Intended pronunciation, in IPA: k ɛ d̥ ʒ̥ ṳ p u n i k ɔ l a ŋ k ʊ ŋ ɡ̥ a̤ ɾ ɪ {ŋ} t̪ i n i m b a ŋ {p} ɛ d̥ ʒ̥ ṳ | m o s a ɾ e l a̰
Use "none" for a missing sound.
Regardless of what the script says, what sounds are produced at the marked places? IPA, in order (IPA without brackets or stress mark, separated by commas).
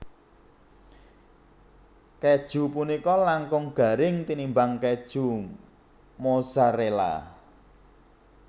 ŋ, k